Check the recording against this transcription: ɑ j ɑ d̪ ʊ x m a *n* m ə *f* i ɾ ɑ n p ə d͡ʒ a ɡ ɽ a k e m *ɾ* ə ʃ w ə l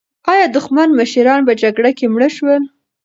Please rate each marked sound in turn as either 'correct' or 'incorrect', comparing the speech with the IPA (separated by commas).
correct, incorrect, incorrect